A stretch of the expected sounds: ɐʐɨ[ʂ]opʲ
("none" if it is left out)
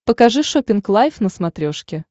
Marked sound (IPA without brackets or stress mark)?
ʂ